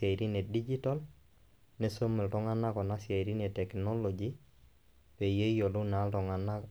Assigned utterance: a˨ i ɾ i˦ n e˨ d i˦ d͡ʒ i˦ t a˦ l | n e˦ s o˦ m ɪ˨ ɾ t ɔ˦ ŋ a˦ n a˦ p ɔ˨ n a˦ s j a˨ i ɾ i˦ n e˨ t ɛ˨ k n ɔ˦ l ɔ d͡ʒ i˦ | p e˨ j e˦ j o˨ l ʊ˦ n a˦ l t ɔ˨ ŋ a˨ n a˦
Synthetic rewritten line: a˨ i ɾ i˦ n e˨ d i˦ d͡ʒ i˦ t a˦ l | n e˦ s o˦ m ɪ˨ l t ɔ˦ ŋ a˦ n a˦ k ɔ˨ n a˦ s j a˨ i ɾ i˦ n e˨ t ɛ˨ k n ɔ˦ l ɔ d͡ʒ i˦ | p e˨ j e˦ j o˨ l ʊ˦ n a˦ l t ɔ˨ ŋ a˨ n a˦